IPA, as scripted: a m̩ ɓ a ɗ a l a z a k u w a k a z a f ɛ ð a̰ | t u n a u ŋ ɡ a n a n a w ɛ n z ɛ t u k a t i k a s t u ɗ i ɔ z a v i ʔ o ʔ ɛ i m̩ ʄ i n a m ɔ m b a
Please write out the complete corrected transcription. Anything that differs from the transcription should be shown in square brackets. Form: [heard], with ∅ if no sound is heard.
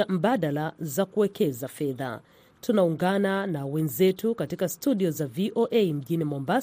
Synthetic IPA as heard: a m̩ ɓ a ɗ a l a z a k u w [ɛ] k [ɛ] z a f ɛ ð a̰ | t u n a u ŋ ɡ a n a n a w ɛ n z ɛ t u k a t i k a s t u ɗ i ɔ z a v i ʔ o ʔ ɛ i m̩ ʄ i n [i] m ɔ m b a